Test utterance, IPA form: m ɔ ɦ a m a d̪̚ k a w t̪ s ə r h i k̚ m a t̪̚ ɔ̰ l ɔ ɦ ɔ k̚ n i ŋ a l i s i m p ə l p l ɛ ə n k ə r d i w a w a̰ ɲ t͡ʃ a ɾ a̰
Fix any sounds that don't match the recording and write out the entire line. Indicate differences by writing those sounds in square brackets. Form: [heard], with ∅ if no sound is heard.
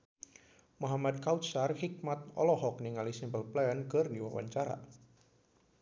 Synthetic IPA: m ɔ ɦ a m a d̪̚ k a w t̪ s [a] r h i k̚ m a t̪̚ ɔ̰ l ɔ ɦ ɔ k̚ n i ŋ a l i s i m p ə l p l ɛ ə n k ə r d i w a w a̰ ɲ t͡ʃ a ɾ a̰